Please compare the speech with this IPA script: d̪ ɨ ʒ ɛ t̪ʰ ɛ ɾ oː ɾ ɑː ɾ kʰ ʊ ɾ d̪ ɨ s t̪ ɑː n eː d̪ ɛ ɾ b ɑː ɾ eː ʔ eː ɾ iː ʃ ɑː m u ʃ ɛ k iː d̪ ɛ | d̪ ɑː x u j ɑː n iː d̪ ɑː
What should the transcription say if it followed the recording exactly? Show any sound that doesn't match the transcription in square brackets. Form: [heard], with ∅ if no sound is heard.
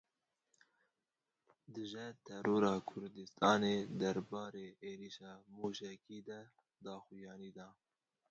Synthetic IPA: d̪ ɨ ʒ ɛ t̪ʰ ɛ ɾ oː ɾ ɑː [∅] kʰ ʊ ɾ d̪ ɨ s t̪ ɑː n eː d̪ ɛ ɾ b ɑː ɾ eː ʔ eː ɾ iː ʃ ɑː m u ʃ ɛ k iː d̪ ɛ | d̪ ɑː x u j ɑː n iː d̪ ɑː